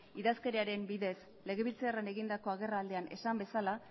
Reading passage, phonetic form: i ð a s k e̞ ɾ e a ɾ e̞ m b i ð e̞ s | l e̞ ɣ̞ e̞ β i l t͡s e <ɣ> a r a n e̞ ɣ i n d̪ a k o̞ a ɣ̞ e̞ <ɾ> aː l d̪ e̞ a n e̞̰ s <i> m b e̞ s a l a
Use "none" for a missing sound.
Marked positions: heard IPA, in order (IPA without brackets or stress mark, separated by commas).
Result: none, r, a